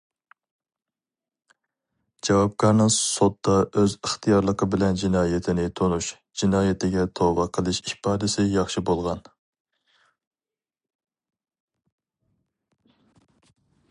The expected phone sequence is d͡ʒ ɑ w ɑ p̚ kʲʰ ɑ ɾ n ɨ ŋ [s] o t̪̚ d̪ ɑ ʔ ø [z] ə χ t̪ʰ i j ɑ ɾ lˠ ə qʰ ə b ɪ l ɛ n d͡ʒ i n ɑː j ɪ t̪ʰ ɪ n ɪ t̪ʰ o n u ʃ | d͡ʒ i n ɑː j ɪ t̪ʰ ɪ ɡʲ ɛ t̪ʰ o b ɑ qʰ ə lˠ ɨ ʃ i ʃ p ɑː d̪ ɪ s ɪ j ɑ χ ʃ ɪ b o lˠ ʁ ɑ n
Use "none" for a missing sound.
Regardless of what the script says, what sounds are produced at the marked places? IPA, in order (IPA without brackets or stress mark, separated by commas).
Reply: s, z